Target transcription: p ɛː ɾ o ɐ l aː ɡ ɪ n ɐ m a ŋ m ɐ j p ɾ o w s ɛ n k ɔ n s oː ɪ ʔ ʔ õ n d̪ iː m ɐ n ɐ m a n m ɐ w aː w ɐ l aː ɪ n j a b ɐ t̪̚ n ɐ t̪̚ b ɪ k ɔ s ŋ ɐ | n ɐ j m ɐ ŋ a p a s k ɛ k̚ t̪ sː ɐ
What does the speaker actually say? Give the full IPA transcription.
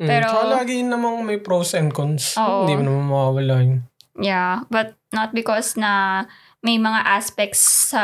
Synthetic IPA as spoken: p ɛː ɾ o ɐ l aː ɡ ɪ n ɐ m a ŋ m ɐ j p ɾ o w s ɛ n k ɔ n s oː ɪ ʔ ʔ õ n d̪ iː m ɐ n ɐ m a n m ɐ w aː w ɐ l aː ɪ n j a b ɐ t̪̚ n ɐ t̪̚ b ɪ k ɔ s n ɐ | m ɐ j m ɐ ŋ a ʔ a s p ɛ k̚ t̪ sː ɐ